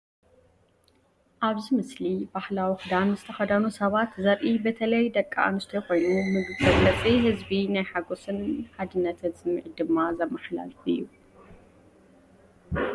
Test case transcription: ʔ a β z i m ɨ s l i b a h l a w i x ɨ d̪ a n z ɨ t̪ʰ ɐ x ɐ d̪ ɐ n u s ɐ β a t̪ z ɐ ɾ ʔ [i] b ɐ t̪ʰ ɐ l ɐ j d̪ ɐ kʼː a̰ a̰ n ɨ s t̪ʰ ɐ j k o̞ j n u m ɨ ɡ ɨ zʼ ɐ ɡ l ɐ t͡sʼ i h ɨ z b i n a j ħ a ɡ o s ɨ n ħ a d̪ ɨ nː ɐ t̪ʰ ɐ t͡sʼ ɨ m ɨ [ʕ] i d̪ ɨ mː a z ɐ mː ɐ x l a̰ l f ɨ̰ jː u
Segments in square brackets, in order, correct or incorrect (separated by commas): correct, correct